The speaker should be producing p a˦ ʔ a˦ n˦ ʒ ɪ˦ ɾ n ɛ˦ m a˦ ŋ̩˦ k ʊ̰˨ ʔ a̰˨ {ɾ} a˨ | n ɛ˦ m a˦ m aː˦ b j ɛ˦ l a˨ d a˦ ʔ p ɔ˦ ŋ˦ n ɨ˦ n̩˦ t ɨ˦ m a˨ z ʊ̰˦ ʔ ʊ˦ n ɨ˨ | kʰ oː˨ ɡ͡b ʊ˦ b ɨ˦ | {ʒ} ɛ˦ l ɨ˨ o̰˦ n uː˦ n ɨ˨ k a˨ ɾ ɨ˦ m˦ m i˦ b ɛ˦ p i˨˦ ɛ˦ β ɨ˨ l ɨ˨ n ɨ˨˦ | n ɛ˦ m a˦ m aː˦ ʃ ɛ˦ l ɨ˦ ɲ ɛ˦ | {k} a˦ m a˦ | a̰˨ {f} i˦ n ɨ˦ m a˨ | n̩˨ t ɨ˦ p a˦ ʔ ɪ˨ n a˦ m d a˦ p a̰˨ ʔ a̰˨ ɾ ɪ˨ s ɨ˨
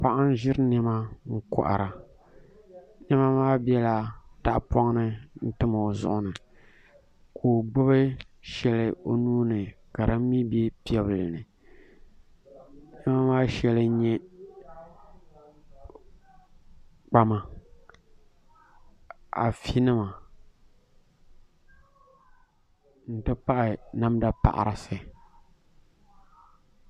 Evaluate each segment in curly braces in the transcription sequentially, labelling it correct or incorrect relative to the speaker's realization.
correct, incorrect: ʃ, incorrect: k͡p, correct

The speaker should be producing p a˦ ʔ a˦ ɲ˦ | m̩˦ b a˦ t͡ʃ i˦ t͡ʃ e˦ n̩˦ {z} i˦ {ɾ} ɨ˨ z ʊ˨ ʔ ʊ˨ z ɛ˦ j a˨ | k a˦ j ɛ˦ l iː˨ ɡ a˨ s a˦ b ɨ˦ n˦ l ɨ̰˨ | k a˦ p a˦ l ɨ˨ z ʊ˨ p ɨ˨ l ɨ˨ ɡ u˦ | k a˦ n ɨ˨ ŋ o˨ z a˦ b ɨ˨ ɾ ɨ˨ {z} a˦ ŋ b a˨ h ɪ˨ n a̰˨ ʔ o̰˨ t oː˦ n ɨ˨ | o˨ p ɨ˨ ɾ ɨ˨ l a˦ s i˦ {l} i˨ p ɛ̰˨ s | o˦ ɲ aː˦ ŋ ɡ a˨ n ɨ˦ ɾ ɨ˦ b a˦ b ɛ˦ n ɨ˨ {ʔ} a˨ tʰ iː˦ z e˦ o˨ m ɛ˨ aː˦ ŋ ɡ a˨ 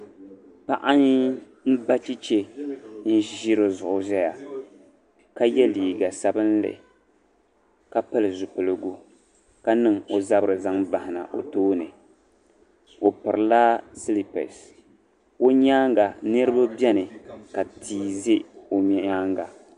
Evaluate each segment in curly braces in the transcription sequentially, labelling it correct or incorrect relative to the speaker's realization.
incorrect: ʒ, correct, correct, correct, incorrect: k

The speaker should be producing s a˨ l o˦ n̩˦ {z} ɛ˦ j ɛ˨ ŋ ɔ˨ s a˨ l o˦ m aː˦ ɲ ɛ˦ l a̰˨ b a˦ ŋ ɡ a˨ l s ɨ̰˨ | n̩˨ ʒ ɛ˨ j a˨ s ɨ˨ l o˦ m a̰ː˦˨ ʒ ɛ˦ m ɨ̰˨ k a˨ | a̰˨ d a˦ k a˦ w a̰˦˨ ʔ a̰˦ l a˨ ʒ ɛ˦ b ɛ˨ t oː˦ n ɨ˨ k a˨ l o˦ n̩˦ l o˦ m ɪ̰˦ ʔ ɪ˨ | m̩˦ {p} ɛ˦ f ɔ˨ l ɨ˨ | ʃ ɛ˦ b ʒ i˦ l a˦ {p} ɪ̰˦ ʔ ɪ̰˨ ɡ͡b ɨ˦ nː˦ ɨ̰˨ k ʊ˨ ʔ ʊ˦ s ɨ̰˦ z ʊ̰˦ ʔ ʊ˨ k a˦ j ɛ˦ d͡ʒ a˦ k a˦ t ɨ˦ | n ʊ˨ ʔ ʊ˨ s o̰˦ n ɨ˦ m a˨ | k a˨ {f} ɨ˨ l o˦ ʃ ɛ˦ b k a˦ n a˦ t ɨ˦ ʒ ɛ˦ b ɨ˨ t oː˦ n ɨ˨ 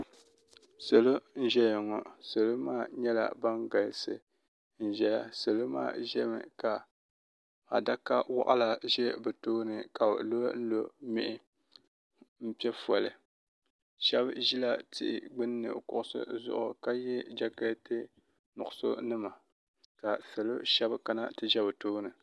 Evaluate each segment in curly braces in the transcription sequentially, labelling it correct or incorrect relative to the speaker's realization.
incorrect: ʒ, correct, incorrect: t, incorrect: s

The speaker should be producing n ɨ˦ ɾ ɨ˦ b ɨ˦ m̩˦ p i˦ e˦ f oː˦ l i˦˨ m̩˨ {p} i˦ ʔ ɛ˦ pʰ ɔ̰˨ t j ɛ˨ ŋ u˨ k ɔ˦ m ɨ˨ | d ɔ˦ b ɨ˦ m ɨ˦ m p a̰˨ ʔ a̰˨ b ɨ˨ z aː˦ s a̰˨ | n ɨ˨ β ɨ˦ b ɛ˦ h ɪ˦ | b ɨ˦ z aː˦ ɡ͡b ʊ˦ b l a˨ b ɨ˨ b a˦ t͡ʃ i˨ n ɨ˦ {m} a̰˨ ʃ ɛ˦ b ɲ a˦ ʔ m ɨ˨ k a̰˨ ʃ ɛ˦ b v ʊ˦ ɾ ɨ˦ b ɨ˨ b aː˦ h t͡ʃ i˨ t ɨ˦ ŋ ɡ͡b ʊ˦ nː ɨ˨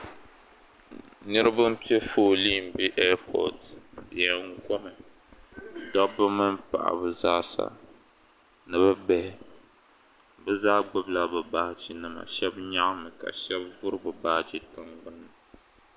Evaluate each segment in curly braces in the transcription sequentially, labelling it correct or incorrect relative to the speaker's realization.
incorrect: b, correct

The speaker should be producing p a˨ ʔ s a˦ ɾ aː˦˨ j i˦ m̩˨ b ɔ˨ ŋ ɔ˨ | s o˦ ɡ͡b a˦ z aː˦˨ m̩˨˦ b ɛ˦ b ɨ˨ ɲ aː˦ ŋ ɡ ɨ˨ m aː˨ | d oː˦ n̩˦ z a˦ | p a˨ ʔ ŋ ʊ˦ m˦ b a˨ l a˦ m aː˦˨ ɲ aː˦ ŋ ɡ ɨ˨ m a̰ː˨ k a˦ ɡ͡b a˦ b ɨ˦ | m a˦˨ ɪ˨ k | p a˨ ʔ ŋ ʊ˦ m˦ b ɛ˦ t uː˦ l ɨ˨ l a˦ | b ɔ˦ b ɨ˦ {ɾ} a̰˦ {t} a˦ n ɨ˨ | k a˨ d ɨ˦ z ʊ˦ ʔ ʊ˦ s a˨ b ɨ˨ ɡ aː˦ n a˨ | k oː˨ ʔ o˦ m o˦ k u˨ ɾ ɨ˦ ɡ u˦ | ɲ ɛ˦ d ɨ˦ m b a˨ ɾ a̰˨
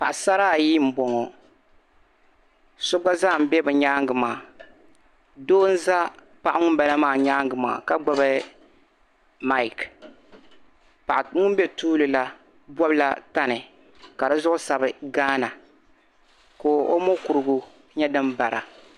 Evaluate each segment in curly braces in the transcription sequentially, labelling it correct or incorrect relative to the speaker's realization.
incorrect: l, correct

